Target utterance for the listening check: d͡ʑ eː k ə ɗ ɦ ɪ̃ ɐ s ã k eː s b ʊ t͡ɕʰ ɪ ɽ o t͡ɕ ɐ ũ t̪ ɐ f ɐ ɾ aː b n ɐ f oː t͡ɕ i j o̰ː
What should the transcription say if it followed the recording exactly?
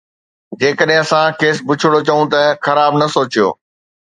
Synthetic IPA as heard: d͡ʑ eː k ə ɗ ɦ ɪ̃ ɐ s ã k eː s b ʊ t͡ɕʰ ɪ ɽ o t͡ɕ ɐ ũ t̪ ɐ x ɐ ɾ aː b n ɐ s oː t͡ɕ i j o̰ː